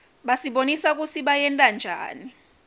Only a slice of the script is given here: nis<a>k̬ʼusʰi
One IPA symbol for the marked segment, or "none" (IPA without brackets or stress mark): a